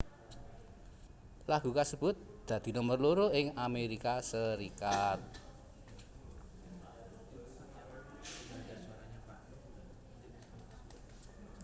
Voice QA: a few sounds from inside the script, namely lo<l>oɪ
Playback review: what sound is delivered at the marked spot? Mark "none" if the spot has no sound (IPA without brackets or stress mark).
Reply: ɾ